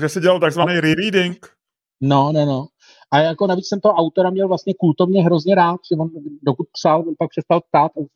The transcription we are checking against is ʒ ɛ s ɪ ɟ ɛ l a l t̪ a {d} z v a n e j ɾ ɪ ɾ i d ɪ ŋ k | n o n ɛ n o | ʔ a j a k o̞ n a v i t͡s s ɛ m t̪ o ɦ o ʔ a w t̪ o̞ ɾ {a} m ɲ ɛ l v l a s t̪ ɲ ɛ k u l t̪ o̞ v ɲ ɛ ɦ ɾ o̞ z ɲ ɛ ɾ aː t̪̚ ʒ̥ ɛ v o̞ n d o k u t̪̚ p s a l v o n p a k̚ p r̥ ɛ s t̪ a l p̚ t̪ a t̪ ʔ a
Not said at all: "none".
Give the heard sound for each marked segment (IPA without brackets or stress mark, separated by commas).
ɡ, a